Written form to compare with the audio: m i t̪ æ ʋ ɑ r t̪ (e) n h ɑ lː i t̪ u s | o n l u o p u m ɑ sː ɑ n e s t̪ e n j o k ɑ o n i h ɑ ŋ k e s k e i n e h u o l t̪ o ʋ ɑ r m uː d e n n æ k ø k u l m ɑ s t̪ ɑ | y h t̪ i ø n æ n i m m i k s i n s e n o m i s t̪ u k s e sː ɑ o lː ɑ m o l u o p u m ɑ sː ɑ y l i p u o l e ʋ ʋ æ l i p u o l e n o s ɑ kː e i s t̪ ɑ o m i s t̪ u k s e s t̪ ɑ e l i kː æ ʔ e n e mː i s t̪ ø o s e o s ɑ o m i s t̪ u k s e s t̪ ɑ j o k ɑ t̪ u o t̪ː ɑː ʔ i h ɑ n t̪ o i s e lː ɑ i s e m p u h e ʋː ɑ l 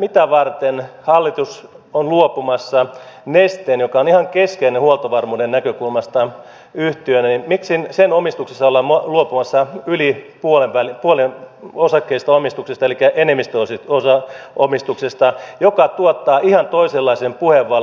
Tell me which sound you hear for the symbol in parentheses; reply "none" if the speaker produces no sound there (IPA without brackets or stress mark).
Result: e